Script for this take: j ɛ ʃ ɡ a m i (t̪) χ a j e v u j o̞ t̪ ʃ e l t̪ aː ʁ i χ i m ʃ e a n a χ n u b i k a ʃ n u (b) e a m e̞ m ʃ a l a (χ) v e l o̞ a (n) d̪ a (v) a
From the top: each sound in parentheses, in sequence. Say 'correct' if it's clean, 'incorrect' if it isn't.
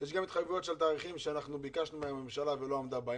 correct, incorrect: m, incorrect: none, incorrect: m, incorrect: b

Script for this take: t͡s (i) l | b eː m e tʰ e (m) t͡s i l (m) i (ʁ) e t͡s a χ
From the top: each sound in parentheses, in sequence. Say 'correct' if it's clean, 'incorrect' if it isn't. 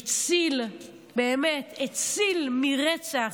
correct, incorrect: none, correct, correct

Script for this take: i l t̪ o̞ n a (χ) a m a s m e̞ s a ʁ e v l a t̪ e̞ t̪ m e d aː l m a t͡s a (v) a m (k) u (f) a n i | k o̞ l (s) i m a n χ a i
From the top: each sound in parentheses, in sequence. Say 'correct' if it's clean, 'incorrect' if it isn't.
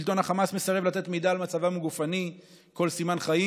correct, correct, incorrect: ɡ, correct, correct

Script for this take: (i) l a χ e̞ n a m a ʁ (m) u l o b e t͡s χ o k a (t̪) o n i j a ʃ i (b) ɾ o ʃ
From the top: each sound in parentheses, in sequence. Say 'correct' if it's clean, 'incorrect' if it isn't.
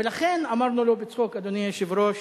incorrect: e, incorrect: n, incorrect: d̪, incorrect: v

